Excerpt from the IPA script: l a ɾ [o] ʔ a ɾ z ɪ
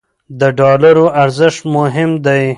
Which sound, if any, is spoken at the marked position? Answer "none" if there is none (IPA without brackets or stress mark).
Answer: o